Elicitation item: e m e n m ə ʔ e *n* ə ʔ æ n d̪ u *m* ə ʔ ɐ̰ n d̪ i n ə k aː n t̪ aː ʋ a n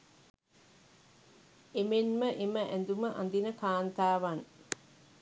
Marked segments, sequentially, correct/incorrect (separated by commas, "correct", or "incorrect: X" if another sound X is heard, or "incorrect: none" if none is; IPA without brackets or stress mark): incorrect: m, correct